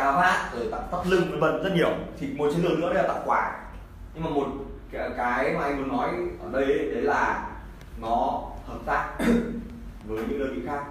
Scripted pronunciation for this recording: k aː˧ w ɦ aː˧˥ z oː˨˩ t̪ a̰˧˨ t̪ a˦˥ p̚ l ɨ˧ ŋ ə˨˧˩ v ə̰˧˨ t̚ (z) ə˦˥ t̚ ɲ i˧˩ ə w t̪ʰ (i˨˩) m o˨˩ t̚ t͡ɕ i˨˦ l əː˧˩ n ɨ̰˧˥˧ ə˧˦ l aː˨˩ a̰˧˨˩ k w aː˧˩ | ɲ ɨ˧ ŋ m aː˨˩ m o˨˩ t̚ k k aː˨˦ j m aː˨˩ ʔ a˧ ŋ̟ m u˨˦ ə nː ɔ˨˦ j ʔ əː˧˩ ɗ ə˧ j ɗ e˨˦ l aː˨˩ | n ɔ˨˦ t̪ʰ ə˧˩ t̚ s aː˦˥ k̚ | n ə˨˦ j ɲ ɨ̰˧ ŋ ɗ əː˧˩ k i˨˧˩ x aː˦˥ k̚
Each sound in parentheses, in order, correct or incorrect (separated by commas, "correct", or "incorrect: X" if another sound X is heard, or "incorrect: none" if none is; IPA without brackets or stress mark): correct, correct